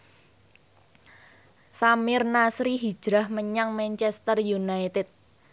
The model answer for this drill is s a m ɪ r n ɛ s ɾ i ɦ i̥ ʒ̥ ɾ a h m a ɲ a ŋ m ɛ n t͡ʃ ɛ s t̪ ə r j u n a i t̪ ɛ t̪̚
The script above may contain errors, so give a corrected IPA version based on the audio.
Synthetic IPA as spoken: s a m ɪ r n a s ɾ i ɦ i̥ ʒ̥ ɾ a h m ə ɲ a ŋ m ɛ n t͡ʃ ɛ s t̪ ə r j u n a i t̪ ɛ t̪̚